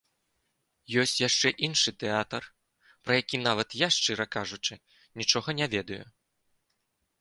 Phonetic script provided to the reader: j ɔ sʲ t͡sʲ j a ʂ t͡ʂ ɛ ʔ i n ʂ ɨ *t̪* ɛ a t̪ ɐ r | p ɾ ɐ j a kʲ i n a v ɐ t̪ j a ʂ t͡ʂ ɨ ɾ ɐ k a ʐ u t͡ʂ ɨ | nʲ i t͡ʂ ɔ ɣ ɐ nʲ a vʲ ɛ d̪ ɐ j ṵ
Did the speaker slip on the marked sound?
no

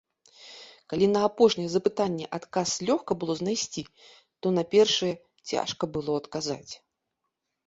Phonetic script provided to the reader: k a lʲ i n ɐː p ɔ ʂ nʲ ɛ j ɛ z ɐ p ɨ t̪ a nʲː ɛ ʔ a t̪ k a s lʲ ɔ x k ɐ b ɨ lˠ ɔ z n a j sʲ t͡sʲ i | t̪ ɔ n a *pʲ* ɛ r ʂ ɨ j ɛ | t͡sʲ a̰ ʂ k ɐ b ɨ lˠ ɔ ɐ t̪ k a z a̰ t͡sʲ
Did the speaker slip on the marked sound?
no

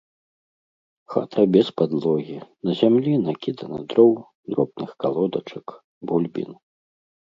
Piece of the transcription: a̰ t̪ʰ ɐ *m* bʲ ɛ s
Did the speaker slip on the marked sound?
yes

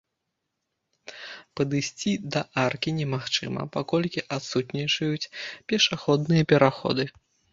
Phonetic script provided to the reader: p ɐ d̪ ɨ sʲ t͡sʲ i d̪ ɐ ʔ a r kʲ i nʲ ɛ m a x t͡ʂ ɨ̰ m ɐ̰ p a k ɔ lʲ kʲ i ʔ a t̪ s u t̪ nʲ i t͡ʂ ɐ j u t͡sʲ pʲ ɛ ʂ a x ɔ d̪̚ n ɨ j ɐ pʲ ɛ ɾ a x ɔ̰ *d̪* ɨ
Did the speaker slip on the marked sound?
no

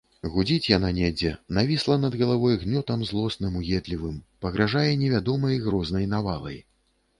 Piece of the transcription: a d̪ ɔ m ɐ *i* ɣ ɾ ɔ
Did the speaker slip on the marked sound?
yes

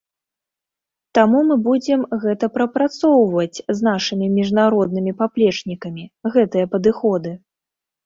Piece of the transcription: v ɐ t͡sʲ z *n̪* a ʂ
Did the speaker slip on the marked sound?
no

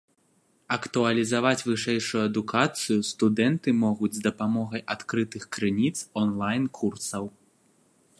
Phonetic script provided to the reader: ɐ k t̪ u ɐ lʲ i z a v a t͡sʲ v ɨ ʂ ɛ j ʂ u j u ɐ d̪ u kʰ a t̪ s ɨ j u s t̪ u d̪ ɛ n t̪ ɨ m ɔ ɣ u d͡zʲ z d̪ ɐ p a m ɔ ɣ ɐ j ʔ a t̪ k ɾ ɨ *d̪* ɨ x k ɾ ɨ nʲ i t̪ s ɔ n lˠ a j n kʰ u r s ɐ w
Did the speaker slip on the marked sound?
yes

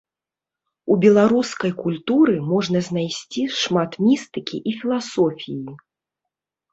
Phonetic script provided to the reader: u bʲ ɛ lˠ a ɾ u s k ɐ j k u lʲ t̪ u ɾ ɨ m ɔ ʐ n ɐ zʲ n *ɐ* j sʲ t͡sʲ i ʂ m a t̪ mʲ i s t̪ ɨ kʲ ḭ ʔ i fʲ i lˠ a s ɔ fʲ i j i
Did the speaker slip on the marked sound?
yes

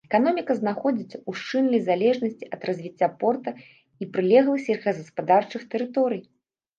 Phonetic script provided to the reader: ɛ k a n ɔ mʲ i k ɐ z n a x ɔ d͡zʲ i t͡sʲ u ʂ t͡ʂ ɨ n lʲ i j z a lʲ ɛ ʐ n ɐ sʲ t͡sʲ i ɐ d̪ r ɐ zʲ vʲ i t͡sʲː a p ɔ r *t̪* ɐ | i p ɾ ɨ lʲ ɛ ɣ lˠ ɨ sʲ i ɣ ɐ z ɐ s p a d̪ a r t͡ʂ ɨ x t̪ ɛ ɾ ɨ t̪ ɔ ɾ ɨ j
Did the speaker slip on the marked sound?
no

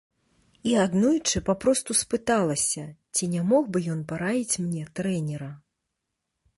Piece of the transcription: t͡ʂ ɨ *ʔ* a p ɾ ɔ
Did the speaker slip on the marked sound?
yes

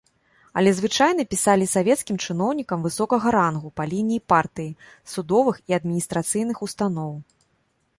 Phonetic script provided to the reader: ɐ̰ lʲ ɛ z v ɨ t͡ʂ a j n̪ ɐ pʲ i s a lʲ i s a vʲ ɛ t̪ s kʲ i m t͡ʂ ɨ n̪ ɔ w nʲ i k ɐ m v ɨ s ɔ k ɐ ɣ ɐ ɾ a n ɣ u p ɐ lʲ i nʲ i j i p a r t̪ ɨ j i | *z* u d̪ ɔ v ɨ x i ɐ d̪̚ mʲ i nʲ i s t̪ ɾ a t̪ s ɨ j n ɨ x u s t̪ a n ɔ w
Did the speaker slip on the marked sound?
yes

